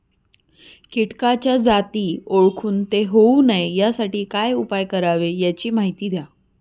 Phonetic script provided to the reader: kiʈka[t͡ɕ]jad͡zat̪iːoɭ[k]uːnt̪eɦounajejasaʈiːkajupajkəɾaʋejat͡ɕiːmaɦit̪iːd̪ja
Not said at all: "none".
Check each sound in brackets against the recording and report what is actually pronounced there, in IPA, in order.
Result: t͡ɕ, kʰ

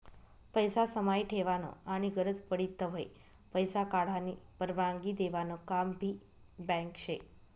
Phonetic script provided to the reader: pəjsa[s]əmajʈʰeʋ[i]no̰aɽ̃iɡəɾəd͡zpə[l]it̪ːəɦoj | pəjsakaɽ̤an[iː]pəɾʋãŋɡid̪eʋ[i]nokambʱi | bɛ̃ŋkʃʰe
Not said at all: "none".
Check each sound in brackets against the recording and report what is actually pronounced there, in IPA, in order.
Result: s, a, ɽ, i, a

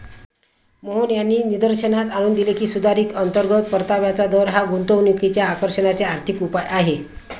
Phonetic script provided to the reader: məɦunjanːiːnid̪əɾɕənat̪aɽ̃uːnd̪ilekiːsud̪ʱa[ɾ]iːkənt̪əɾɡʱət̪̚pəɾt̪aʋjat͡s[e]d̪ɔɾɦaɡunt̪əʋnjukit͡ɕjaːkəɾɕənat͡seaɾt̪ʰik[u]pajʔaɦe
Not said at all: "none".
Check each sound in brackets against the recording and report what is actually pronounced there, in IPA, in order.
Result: ɾ, a, u

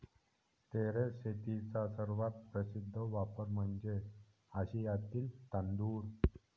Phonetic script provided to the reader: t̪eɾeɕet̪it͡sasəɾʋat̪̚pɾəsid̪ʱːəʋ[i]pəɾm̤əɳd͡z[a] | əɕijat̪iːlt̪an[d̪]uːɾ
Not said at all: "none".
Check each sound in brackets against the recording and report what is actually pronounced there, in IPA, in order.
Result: a, e, d̪

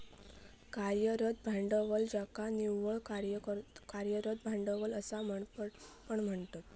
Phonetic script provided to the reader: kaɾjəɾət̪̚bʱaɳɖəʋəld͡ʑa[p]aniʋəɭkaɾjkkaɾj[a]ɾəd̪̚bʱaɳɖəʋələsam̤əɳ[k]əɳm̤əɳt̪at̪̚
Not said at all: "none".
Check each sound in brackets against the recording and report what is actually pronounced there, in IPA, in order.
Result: k, ə, p

